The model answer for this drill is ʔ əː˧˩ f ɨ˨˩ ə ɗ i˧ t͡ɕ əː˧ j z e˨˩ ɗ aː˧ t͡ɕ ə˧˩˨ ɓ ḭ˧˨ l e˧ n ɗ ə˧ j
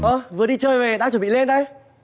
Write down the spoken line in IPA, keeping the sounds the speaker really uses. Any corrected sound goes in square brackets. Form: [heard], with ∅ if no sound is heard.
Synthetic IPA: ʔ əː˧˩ [v] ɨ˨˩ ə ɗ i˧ t͡ɕ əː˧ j [v] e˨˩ ɗ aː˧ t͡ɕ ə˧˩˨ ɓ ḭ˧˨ l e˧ n ɗ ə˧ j